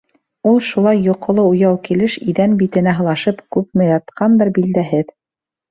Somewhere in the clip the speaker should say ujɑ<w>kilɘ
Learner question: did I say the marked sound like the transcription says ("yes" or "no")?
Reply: yes